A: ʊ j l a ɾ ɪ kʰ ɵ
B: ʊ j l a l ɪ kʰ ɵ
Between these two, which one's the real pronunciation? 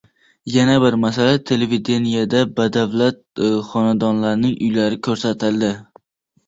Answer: A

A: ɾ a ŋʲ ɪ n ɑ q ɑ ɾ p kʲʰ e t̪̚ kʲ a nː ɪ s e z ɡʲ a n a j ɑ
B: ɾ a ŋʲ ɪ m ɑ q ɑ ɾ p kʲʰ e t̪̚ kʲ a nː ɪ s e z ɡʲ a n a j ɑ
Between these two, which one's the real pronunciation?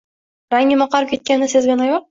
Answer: B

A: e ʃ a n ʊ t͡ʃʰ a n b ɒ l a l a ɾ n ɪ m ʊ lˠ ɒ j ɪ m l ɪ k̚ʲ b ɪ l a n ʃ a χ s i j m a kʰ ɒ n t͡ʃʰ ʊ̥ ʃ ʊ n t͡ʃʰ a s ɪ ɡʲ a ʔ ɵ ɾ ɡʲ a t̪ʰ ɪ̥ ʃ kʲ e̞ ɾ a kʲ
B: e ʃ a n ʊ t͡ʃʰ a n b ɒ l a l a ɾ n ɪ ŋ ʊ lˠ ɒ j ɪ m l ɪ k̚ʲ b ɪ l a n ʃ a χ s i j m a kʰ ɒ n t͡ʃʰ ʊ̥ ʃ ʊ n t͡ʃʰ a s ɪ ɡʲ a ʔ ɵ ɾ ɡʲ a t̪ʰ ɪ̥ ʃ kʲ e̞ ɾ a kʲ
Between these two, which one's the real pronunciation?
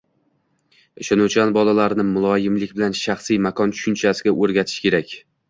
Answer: A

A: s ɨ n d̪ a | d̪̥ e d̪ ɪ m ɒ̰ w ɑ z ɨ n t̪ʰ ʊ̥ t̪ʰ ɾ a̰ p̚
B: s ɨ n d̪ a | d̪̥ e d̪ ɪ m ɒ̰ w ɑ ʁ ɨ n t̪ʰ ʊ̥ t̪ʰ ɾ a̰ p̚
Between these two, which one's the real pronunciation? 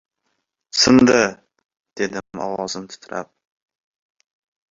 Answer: A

